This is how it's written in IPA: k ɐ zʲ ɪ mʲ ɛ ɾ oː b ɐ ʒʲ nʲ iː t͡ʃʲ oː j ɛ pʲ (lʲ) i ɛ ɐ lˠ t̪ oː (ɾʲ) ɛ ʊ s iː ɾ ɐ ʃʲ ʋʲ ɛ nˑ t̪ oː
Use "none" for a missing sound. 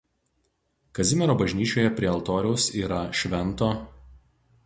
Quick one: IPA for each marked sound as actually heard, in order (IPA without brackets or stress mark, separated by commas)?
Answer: ɾʲ, ɾʲ